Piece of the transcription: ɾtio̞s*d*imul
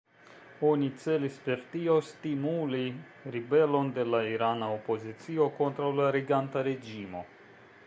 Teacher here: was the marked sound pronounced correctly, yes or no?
no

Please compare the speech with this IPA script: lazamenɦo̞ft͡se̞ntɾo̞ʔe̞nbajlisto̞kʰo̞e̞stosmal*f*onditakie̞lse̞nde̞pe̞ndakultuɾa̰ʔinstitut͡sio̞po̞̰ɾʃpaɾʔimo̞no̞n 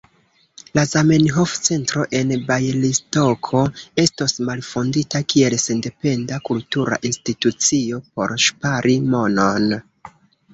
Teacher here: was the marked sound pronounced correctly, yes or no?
yes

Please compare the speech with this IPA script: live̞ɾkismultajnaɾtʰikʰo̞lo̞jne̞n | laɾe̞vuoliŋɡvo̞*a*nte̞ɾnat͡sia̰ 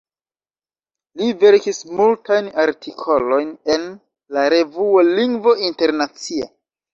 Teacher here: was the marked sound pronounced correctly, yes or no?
no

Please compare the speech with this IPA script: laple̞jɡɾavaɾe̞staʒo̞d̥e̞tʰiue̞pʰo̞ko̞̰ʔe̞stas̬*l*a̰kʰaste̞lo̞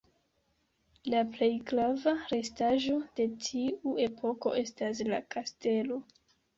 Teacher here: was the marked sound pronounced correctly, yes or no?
yes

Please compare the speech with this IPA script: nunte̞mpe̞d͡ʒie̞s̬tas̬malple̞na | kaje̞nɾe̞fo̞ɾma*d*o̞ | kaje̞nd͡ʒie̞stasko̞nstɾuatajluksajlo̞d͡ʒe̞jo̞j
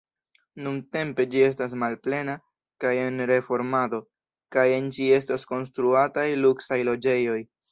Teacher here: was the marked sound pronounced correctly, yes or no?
yes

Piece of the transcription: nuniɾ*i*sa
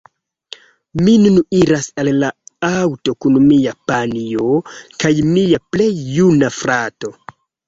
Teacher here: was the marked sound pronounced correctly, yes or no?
no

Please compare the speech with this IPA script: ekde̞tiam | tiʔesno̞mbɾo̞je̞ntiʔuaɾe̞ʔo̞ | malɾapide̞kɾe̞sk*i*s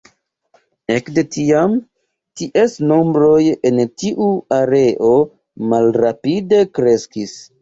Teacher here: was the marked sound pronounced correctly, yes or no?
yes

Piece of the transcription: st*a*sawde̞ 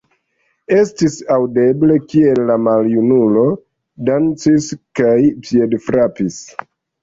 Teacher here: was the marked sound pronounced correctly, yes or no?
no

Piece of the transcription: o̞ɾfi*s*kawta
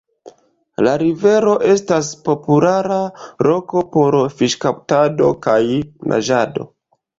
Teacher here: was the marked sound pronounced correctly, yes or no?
no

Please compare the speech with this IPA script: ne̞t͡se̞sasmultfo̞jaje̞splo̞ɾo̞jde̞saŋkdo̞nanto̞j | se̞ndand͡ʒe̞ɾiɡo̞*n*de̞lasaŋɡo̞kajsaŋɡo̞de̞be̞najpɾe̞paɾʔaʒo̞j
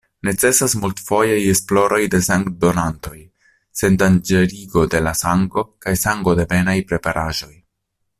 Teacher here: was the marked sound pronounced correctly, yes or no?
no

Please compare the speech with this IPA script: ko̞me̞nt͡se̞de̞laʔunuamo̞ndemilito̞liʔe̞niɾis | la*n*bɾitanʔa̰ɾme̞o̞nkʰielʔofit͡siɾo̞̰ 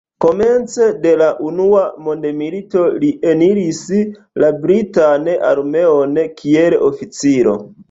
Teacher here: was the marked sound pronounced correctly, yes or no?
no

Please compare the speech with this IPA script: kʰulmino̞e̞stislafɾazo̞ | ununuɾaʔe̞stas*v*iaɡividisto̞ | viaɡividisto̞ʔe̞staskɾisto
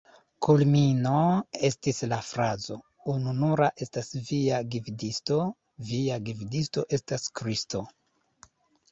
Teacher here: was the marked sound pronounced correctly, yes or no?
yes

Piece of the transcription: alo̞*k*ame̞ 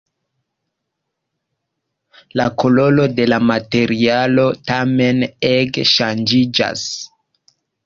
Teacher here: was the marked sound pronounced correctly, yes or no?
no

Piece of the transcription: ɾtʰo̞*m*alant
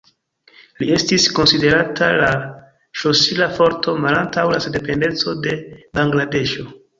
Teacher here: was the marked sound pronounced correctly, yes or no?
yes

